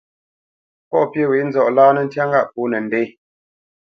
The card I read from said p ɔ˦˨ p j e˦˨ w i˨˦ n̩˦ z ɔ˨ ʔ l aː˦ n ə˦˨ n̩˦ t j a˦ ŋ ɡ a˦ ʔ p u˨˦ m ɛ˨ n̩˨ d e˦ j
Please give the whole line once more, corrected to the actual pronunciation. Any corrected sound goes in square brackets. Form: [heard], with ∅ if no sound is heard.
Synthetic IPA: p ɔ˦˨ p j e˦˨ w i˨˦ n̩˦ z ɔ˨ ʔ l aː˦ n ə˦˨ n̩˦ t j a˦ ŋ ɡ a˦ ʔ p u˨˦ [n] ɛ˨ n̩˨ d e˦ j